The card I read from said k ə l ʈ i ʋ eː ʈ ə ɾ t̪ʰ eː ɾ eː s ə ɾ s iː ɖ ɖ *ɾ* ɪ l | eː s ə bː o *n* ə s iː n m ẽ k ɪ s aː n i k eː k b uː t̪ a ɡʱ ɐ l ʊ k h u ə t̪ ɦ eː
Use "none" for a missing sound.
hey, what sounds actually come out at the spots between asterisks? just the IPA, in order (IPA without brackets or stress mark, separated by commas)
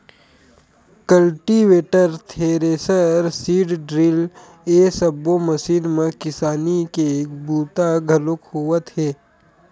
ɾ, m